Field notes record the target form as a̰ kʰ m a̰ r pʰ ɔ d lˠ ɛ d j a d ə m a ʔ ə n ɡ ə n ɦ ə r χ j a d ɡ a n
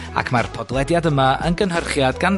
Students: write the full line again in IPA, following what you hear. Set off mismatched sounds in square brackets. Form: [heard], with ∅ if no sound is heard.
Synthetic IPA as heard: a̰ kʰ m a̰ r pʰ ɔ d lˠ ɛ d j a d ə m a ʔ ə n ɡ ə n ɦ ə r χ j a d ɡ a n